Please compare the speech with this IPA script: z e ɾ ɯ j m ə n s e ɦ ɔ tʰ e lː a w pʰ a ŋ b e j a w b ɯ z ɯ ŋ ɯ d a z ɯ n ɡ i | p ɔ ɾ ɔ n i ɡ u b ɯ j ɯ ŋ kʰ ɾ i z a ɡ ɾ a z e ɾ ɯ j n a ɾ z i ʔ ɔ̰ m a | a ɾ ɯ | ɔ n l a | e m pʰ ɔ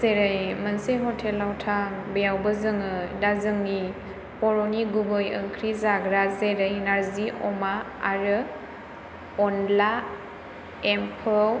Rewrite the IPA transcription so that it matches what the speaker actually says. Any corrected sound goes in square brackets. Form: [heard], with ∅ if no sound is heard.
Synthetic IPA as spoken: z e ɾ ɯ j m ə n s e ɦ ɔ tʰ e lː a w [tʰ] a ŋ b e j a w b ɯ z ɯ ŋ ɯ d a z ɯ [ŋ] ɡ i | p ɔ ɾ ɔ n i ɡ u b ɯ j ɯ ŋ kʰ ɾ i z a ɡ ɾ a z e ɾ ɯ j n a ɾ z i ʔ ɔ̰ m a | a ɾ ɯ | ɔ n l a | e m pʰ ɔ